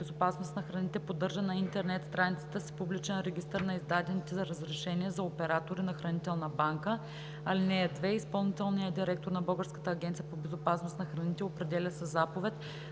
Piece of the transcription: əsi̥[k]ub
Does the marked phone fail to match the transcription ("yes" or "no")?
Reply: yes